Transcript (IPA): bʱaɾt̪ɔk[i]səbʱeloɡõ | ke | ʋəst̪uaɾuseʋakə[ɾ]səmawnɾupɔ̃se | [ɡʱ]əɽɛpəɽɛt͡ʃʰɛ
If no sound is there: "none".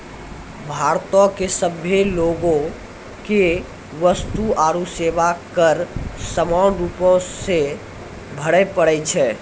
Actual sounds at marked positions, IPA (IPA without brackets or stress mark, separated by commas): e, ɾ, bʱ